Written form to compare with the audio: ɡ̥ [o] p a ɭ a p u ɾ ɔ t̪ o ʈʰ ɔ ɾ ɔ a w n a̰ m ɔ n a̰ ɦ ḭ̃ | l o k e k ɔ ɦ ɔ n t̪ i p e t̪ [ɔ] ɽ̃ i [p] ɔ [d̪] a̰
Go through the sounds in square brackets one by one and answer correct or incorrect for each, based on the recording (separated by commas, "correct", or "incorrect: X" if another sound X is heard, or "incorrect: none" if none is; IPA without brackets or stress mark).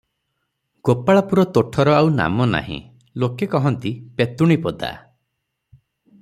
correct, incorrect: u, correct, correct